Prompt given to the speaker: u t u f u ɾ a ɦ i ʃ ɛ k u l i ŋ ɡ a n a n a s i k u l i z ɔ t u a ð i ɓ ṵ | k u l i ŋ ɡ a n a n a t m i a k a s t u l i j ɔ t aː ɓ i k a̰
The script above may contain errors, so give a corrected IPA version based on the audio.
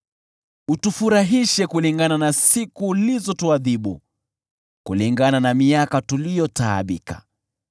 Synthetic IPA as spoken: u t u f u ɾ a ɦ i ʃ ɛ k u l i ŋ ɡ a n a n a s i k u l i z ɔ t u a ð i ɓ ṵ | k u l i ŋ ɡ a n a n a m i a k a t u l i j ɔ t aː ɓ i k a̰

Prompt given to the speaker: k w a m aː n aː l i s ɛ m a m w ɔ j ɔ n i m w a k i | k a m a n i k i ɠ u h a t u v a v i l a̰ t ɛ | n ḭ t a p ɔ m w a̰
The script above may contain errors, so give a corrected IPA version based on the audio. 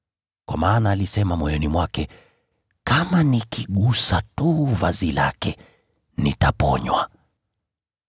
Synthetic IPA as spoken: k w a m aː n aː l i s ɛ m a m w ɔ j ɔ n i m w a k ɛ | k a m a n i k i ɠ u s a t u v a z i l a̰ k ɛ | n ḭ t a p ɔ ɲ w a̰

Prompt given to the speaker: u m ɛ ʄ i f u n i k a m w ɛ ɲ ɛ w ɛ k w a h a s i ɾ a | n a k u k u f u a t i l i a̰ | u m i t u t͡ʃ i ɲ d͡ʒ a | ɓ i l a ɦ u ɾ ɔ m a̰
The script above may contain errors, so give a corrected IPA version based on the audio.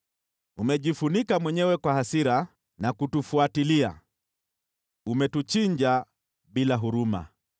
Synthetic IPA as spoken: u m ɛ ʄ i f u n i k a m w ɛ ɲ ɛ w ɛ k w a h a s i ɾ a | n a k u t u f u a t i l i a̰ | u m ɛ t u t͡ʃ i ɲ d͡ʒ a | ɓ i l a ɦ u ɾ u m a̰

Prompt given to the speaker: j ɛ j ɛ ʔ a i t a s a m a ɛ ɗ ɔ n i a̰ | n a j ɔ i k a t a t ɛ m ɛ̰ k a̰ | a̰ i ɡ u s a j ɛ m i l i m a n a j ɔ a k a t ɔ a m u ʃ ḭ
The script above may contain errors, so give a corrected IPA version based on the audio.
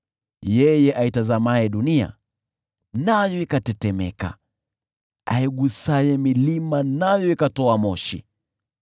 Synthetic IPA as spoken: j ɛ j ɛ ʔ a i t a z a m a ɛ ɗ u n i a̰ | n a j ɔ i k a t ɛ t ɛ m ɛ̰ k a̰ | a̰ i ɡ u s a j ɛ m i l i m a n a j ɔ i k a t ɔ a m ɔ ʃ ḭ

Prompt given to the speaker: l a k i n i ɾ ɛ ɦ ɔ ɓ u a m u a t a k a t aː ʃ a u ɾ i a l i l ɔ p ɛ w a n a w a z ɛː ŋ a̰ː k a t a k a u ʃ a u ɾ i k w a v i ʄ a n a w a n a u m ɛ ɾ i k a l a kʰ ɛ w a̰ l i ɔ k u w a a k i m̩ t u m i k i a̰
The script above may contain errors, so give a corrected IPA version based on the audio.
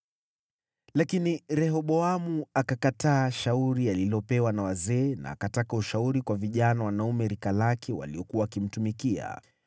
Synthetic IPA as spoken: l a k i n i ɾ ɛ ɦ ɔ ɓ ɔ a m u a k a k a t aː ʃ a u ɾ i a l i l ɔ p ɛ w a n a w a z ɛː n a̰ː k a t a k a u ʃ a u ɾ i k w a v i ʄ a n a w a n a u m ɛ ɾ i k a l a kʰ ɛ w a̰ l i ɔ k u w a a k i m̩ t u m i k i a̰

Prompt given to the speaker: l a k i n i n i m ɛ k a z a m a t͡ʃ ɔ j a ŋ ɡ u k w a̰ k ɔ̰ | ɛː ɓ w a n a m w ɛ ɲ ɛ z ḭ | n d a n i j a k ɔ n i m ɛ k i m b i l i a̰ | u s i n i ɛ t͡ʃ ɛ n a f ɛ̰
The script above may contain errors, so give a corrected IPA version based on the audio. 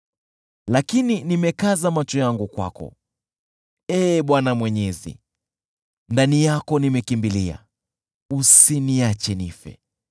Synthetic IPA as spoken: l a k i n i n i m ɛ k a z a m a t͡ʃ ɔ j a ŋ ɡ u k w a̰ k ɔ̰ | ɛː ɓ w a n a m w ɛ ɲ ɛ z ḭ | n d a n i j a k ɔ n i m ɛ k i m b i l i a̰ | u s i n i a t͡ʃ ɛ n i f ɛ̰

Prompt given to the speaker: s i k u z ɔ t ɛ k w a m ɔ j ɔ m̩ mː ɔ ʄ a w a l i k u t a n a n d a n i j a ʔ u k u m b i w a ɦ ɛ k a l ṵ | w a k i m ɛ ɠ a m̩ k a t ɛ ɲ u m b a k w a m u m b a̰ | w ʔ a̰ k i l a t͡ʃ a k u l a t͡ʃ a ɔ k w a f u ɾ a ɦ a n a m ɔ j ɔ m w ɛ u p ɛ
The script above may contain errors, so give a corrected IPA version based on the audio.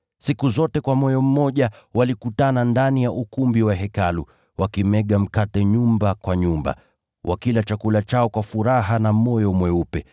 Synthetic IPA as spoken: s i k u z ɔ t ɛ k w a m ɔ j ɔ m̩ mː ɔ ʄ a w a l i k u t a n a n d a n i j a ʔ u k u m b i w a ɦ ɛ k a l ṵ | w a k i m ɛ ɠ a m̩ k a t ɛ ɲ u m b a k w a ɲ u m b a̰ | w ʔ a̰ k i l a t͡ʃ a k u l a t͡ʃ a ɔ k w a f u ɾ a ɦ a n a m ɔ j ɔ m w ɛ u p ɛ

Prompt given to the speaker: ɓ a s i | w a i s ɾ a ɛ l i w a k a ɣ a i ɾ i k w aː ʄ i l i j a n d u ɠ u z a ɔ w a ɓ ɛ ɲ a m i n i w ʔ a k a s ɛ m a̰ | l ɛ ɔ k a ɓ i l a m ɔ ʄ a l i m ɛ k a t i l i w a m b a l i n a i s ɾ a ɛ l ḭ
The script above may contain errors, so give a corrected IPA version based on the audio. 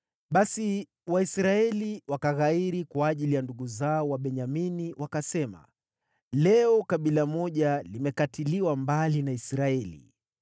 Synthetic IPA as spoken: ɓ a s i | w a i s ɾ a ɛ l i w a k a ɣ a i ɾ i k w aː ʄ i l i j a n d u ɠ u z a ɔ w a ɓ ɛ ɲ a m i n i w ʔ a k a s ɛ m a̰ | l ɛ ɔ k a ɓ i l a m ɔ ʄ a l i m ɛ k a t i l i w a m b a l i n a i s ɾ a ɛ l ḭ

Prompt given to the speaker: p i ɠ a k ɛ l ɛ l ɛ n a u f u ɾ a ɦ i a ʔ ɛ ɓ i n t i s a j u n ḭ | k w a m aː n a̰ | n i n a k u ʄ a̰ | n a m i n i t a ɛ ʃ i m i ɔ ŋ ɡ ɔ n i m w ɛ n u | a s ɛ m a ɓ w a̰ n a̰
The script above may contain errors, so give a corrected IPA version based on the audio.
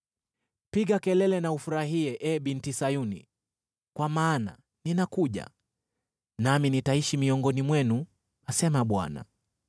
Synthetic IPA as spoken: p i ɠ a k ɛ l ɛ l ɛ n a u f u ɾ a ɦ i ɛ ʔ ɛ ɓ i n t i s a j u n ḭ | k w a m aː n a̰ | n i n a k u ʄ a̰ | n a m i n i t a i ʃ i m i ɔ ŋ ɡ ɔ n i m w ɛ n u | a s ɛ m a ɓ w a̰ n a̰

